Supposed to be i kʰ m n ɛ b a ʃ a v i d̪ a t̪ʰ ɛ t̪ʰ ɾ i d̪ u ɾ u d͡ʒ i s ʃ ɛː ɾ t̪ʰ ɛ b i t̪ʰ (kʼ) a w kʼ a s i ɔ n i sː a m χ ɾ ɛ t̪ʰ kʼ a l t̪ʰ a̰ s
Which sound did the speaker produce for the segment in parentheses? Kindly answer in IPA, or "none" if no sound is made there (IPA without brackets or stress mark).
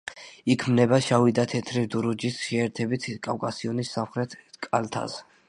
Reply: kʼ